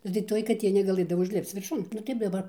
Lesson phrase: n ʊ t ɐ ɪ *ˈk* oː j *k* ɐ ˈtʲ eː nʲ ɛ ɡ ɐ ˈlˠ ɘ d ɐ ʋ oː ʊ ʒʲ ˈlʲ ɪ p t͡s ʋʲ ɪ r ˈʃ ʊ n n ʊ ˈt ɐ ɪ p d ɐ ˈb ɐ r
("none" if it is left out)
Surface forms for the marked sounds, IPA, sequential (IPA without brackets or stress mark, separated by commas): t, k